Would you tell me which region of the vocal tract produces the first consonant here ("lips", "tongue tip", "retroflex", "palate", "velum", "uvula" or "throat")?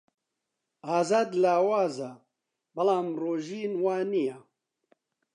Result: tongue tip